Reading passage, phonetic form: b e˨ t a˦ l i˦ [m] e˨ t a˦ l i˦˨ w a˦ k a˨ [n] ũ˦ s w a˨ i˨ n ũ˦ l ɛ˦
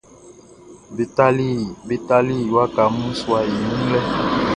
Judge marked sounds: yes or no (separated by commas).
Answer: no, no